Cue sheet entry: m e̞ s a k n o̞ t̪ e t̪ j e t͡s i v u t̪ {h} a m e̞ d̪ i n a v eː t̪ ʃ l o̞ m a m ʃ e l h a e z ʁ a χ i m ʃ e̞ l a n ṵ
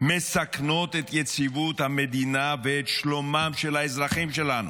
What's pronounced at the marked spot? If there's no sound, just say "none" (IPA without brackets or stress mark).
h